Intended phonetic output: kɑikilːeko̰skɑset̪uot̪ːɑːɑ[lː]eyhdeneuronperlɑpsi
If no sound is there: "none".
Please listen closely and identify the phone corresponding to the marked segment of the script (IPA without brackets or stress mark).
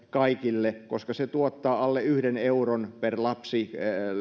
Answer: lː